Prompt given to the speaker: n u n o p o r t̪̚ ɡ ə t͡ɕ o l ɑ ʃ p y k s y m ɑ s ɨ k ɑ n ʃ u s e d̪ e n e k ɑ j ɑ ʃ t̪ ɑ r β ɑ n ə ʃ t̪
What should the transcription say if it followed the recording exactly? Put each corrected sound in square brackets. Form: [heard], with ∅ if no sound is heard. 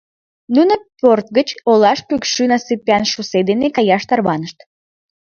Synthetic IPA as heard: n u n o p o r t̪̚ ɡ ə t͡ɕ o l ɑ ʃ p y k [ʃ] y [n] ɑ s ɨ [p] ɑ n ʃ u s e d̪ e n e k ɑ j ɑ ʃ t̪ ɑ r β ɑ n ə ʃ t̪